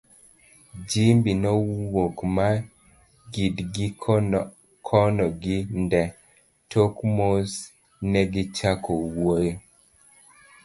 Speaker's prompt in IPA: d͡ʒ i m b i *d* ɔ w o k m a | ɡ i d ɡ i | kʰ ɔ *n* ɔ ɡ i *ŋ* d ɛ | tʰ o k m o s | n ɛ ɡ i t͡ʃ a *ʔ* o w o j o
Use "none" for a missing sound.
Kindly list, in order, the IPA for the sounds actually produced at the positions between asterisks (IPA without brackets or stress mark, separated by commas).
n, n, n, k